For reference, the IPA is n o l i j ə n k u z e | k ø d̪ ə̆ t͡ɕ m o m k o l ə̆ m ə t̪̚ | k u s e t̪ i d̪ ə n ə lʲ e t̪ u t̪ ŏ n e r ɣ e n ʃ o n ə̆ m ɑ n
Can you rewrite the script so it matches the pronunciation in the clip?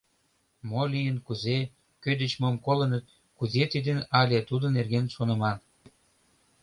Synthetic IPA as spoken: m o l i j ə n k u z e | k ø d̪ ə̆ t͡ɕ m o m k o l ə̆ n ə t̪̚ | k u z e t̪ i d̪ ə n ɑ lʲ e t̪ u d̪ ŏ n e r ɣ e n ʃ o n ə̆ m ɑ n